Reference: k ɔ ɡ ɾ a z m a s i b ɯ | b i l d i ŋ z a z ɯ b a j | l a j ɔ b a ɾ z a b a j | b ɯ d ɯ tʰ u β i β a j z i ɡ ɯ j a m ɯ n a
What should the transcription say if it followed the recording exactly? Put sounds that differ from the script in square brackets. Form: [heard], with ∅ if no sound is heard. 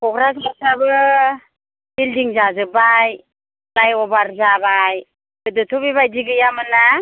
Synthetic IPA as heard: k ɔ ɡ ɾ a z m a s [a] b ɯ | b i l d i ŋ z a z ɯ b a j | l a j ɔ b a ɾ z a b a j | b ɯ d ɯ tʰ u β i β a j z i ɡ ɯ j a m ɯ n a